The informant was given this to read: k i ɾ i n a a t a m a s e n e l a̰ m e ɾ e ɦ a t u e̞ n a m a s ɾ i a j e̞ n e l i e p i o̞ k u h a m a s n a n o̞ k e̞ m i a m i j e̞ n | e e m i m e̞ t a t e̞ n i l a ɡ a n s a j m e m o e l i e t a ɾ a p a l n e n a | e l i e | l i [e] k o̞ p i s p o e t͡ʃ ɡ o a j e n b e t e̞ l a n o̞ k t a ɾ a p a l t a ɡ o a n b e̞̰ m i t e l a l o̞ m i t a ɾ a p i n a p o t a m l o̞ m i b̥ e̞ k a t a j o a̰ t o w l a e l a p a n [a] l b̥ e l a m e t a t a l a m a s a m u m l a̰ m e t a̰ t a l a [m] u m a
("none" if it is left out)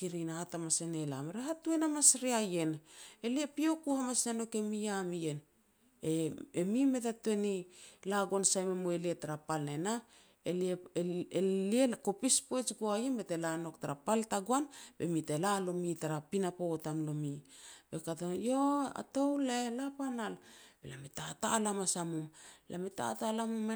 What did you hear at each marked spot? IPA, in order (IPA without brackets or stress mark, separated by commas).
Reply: e, a, m